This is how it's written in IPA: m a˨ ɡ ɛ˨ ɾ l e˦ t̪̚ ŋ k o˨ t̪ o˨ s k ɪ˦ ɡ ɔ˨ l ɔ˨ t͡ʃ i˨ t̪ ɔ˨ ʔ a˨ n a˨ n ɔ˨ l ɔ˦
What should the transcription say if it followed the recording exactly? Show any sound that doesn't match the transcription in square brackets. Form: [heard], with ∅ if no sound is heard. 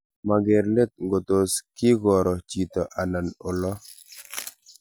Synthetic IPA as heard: m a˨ ɡ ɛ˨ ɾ l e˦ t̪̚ ŋ [ɡ] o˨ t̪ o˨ s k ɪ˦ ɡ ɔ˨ [ɾ] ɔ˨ t͡ʃ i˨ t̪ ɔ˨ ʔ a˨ n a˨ n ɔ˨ l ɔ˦

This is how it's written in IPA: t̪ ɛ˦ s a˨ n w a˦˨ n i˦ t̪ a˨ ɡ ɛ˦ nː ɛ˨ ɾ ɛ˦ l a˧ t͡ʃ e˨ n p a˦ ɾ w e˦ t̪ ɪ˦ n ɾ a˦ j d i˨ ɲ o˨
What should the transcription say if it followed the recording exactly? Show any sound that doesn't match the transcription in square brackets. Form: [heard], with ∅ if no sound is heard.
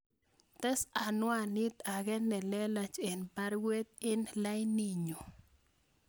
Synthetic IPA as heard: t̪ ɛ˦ s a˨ n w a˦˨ n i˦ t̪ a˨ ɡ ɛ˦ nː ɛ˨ [l] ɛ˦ l a˧ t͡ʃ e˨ n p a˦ ɾ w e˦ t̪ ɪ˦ n [l] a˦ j [n] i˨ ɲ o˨

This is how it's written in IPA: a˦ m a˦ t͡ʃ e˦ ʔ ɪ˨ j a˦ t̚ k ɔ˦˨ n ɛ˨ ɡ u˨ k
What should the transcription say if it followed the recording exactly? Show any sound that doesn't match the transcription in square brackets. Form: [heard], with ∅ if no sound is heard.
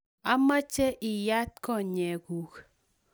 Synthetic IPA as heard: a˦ m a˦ t͡ʃ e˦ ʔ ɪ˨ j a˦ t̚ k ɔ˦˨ [ɲ] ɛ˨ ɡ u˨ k

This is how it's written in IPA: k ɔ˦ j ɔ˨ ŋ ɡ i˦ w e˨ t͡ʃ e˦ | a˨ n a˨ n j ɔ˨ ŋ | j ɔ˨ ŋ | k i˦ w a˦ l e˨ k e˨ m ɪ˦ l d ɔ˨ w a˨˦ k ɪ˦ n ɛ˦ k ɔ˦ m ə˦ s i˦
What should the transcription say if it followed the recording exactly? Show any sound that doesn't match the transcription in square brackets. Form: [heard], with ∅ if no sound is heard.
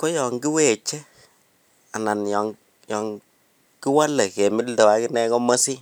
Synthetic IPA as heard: k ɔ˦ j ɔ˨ ŋ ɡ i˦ w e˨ t͡ʃ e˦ | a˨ n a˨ n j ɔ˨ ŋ | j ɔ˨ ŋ | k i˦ w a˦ l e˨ k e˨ m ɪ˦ l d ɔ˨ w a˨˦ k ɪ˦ n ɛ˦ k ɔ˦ m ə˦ s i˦

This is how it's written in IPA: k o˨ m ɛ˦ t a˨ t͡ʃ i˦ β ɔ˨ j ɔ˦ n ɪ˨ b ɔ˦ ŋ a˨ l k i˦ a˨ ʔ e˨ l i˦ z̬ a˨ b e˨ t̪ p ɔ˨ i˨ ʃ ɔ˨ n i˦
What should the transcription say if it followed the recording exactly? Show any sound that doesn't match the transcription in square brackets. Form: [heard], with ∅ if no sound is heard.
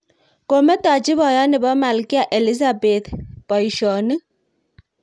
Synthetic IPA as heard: k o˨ m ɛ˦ t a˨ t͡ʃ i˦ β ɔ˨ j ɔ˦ n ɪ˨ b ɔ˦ [m] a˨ l k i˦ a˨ ʔ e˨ l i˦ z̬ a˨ b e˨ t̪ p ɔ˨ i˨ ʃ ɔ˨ n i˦

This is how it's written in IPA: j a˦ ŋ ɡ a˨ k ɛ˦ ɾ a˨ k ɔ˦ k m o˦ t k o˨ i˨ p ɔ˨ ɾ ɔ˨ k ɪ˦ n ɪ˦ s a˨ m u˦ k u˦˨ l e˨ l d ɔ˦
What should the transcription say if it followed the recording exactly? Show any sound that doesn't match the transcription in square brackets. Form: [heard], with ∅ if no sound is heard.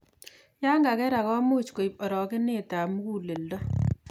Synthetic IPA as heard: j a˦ ŋ ɡ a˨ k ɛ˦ ɾ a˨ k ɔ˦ [∅] m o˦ [t͡ʃ] k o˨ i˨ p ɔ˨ ɾ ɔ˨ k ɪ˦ n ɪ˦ [t] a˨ m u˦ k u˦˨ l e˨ l d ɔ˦

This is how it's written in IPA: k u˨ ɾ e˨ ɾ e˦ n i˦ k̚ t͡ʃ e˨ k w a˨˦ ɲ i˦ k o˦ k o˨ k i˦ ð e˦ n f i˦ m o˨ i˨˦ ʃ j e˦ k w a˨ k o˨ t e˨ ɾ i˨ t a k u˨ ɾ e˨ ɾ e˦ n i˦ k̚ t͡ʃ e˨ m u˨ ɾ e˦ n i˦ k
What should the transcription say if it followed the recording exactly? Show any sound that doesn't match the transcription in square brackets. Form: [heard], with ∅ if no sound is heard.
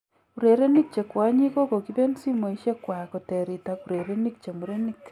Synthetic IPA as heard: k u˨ ɾ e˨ ɾ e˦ n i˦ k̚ t͡ʃ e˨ k w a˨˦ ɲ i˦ k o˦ k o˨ k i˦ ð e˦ n [s] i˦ m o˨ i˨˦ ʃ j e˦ k w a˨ k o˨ t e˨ ɾ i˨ t a k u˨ ɾ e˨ ɾ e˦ n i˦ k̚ t͡ʃ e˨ m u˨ ɾ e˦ n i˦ k

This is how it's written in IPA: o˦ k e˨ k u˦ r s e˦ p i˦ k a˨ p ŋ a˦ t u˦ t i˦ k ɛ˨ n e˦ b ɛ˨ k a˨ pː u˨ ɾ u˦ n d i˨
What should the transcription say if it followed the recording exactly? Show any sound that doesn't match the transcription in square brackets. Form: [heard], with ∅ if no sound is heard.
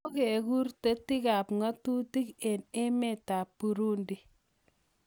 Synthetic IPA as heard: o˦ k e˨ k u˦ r [t] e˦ [t] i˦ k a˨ p ŋ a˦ t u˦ t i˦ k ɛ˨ n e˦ [m] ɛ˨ [t] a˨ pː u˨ ɾ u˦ n d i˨

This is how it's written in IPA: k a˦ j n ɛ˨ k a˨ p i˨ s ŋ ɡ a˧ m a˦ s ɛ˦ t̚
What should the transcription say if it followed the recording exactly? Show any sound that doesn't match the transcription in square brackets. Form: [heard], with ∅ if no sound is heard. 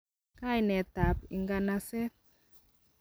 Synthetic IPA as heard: k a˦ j n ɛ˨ [t] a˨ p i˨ [∅] ŋ ɡ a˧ [n] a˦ s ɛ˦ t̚

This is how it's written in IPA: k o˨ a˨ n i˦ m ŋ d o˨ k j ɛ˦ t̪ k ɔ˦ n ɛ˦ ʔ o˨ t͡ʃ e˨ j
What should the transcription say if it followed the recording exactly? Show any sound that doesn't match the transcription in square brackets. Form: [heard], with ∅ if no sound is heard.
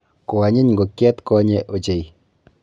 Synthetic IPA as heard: k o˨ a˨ [ɲ] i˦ [ɲ] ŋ [ɡ] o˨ k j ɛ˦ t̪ k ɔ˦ [ɲ] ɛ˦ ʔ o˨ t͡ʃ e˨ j

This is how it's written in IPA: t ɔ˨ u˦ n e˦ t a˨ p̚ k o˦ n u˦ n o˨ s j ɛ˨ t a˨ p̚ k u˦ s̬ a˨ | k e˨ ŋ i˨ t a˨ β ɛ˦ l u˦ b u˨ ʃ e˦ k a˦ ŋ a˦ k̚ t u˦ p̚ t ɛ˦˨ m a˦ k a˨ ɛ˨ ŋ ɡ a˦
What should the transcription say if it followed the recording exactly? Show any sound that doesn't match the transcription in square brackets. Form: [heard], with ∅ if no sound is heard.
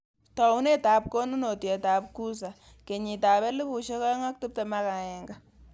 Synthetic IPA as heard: t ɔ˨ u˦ n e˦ t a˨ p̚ k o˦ n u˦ n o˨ [t] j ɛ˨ t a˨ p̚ k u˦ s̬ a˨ | k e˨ [ɲ] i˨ t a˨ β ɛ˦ l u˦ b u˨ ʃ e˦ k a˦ ŋ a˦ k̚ t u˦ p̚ t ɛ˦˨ m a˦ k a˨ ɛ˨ ŋ ɡ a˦

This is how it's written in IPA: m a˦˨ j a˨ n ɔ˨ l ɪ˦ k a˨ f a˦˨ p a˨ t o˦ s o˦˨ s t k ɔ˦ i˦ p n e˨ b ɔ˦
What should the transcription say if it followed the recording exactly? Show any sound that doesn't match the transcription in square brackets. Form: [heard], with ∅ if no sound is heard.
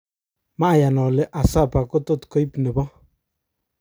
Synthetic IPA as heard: m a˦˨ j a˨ n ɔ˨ l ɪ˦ [ʔ] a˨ [s] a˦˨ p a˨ [k] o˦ [t] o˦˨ [∅] t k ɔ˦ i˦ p n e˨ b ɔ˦

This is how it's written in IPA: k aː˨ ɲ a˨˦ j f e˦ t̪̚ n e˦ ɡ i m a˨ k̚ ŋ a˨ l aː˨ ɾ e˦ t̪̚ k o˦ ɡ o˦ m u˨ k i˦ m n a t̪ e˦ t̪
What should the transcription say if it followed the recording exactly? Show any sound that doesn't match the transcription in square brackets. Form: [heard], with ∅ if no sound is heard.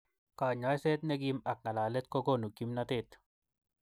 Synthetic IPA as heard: k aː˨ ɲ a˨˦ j [s] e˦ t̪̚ n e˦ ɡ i m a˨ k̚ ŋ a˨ l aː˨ [l] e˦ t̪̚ k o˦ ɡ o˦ [n] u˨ k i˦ m n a t̪ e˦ t̪

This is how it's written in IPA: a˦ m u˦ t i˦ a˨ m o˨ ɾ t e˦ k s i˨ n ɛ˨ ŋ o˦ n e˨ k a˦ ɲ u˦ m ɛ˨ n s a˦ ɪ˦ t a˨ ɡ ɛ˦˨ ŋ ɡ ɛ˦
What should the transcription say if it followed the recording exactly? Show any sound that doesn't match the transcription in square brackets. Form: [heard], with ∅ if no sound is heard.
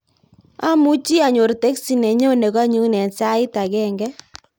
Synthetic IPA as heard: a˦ m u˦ [t͡ʃ] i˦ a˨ [ɲ] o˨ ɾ t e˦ k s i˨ n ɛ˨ [ɲ] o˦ n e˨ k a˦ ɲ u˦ [n] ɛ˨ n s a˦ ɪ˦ t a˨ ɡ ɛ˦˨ ŋ ɡ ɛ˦

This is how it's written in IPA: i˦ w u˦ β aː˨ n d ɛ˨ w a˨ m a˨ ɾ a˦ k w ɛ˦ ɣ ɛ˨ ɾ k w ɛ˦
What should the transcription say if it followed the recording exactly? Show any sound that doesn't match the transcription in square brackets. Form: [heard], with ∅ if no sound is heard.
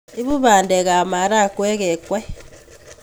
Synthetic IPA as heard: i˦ [β] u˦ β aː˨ n d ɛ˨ [ɣ] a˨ m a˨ ɾ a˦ k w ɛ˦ ɣ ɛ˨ [∅] k w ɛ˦

